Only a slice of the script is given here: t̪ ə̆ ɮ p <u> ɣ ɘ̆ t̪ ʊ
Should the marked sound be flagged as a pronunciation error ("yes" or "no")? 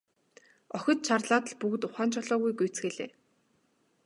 no